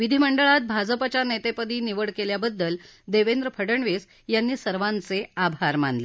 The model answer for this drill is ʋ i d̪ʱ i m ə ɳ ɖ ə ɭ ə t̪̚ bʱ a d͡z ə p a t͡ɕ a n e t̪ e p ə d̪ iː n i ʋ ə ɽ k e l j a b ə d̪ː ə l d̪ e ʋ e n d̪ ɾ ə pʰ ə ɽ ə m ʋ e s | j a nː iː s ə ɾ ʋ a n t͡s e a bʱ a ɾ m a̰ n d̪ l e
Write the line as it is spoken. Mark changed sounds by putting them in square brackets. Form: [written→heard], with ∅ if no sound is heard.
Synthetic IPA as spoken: ʋ i d̪ʱ i m ə ɳ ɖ ə ɭ [ə→a] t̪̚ bʱ a d͡z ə p a t͡ɕ a n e t̪ e p ə d̪ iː n i ʋ ə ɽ k e l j a b ə d̪ː ə l d̪ e ʋ e n d̪ ɾ ə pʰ ə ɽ ə [m→ɳ] ʋ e s | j a nː iː s ə ɾ ʋ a n t͡s e a bʱ a ɾ m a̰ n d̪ l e